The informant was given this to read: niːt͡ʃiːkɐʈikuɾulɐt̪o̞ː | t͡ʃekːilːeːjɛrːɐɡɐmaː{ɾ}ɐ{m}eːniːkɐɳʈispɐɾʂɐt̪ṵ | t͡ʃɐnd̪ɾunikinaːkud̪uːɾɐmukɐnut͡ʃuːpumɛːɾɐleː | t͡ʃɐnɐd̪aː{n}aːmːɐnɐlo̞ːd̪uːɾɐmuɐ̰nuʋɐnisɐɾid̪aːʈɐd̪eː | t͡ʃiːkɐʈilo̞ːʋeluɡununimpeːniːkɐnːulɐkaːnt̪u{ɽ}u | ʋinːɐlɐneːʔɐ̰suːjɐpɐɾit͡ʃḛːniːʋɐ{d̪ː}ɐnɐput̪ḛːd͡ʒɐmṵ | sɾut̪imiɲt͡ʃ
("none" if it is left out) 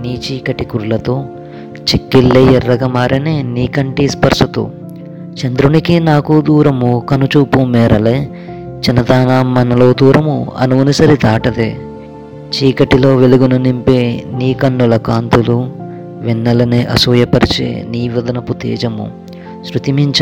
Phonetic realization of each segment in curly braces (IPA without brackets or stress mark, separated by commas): ɾ, n, n, l, d̪